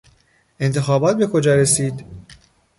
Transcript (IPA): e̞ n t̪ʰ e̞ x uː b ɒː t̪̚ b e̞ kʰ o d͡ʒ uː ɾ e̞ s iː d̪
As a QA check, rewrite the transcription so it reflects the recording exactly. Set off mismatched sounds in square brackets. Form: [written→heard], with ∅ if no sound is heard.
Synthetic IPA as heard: e̞ n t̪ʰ e̞ x [uː→ɒː] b ɒː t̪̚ b e̞ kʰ o d͡ʒ [uː→ɒː] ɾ e̞ s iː d̪

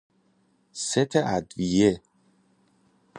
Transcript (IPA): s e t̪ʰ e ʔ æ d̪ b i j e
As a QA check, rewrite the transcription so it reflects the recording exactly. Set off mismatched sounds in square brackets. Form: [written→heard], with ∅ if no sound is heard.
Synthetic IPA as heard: s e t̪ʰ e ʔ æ d̪ [b→v] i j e

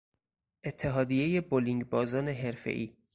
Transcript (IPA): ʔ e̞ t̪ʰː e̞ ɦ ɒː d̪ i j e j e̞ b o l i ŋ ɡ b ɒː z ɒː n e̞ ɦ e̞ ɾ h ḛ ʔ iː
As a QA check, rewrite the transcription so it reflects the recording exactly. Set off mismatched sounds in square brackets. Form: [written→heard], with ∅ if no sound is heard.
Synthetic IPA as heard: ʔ e̞ t̪ʰː e̞ ɦ ɒː d̪ i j e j e̞ b o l i ŋ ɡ b ɒː z ɒː n e̞ ɦ e̞ ɾ [h→f] ḛ ʔ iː

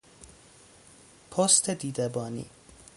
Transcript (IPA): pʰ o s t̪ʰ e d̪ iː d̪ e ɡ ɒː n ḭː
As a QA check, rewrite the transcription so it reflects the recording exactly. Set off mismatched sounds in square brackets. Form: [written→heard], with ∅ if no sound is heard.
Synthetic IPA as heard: pʰ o s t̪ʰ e d̪ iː d̪ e [ɡ→b] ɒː n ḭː

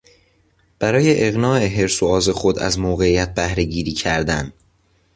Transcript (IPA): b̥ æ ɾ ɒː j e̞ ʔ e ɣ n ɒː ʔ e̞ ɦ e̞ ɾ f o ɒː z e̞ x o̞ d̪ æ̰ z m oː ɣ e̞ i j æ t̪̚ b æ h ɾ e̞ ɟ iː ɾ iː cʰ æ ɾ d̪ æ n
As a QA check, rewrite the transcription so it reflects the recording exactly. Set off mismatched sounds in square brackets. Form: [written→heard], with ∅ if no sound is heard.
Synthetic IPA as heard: b̥ æ ɾ ɒː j e̞ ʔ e ɣ n ɒː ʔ e̞ ɦ e̞ ɾ [f→s] o ɒː z e̞ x o̞ d̪ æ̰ z m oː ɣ e̞ i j æ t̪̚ b æ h ɾ e̞ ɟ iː ɾ iː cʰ æ ɾ d̪ æ n

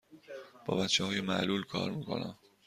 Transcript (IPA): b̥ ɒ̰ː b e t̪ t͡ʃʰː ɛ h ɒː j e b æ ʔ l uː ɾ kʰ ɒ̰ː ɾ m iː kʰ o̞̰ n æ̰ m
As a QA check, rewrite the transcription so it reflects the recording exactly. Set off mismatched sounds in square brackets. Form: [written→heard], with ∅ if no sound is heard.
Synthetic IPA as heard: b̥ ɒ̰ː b [e→æ] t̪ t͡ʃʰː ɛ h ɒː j e [b→m] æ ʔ l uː [ɾ→l] kʰ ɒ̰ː ɾ m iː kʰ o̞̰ n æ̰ m

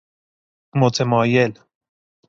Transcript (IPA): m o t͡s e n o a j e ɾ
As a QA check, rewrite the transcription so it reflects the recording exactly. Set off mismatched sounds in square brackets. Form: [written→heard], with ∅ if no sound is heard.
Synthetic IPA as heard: m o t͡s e [n→m] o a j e [ɾ→l]

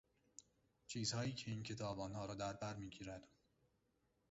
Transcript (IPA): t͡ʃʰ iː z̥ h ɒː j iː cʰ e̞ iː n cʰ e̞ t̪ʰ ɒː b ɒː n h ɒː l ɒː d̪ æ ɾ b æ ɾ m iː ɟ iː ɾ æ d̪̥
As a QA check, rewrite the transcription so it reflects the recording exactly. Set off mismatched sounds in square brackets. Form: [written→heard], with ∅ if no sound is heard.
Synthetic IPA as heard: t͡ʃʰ iː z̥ h ɒː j iː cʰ e̞ iː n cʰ e̞ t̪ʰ ɒː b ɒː n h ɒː [l→ɾ] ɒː d̪ æ ɾ b æ ɾ m iː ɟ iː ɾ æ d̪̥

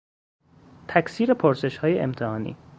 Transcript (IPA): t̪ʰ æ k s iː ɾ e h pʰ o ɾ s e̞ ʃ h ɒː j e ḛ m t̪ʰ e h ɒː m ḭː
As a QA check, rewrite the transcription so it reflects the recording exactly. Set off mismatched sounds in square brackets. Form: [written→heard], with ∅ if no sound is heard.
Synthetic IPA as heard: t̪ʰ æ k s iː ɾ e [h→∅] pʰ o ɾ s e̞ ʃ h ɒː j e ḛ m t̪ʰ e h ɒː [m→n] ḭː

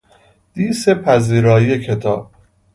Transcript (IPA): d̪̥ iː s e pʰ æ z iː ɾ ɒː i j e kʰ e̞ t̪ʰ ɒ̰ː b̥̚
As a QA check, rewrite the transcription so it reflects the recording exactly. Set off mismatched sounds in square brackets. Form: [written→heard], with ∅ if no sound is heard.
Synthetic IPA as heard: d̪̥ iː s e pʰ æ z iː ɾ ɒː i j e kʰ e̞ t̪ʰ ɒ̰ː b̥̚

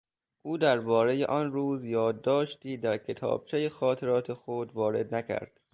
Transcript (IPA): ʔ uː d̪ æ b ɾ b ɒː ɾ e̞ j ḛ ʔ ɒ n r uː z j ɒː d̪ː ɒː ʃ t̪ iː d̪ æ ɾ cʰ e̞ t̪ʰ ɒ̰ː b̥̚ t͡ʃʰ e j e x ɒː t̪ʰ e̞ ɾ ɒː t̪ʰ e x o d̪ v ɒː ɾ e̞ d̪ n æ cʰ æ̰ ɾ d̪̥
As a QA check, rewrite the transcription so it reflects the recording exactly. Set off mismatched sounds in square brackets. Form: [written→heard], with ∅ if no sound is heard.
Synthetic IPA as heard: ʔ uː d̪ æ [b→∅] ɾ b ɒː ɾ e̞ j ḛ ʔ ɒ n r uː z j ɒː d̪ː ɒː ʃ t̪ iː d̪ æ ɾ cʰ e̞ t̪ʰ ɒ̰ː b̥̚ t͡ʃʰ e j e x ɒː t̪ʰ e̞ ɾ ɒː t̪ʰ e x o d̪ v ɒː ɾ e̞ d̪ n æ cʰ æ̰ ɾ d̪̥

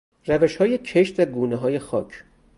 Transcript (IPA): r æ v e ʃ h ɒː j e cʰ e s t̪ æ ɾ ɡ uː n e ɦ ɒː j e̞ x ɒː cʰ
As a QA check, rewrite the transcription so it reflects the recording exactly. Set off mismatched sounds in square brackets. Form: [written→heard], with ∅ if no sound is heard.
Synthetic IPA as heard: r æ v e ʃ h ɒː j e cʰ e [s→ʃ] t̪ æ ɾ ɡ uː n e ɦ ɒː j e̞ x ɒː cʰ

